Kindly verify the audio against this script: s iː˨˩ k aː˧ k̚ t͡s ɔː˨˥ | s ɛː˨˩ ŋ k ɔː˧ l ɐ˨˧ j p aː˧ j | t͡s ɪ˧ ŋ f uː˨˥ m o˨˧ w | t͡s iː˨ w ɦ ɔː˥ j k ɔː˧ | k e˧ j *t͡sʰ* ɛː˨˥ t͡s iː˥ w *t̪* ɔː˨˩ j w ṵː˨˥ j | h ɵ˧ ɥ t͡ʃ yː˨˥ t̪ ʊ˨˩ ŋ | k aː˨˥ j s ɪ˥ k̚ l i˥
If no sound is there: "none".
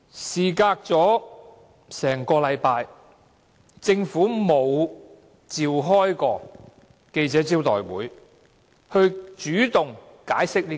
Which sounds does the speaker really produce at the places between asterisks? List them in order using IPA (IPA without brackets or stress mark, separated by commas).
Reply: t͡s, t̪